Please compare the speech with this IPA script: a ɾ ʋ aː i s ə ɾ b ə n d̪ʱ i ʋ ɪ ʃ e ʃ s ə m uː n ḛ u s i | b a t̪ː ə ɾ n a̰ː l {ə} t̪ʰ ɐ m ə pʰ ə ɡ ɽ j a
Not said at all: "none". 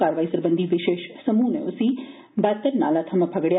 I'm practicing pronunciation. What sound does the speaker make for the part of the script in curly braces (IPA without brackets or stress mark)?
a